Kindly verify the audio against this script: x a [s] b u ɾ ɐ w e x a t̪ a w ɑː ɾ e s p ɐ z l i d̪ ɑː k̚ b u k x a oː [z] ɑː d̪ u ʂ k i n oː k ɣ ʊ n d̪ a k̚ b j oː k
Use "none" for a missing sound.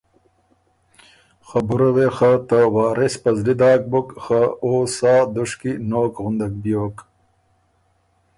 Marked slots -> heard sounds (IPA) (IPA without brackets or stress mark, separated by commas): none, s